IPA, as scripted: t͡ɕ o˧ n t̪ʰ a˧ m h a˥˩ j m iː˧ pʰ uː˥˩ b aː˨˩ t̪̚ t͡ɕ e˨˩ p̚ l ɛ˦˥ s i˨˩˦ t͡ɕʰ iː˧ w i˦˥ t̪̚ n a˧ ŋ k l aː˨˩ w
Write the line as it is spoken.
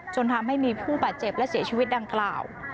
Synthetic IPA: t͡ɕ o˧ n t̪ʰ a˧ m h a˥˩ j m iː˧ pʰ uː˥˩ b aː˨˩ t̪̚ t͡ɕ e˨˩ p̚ l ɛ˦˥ s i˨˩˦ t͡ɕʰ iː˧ w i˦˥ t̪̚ d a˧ ŋ k l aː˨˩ w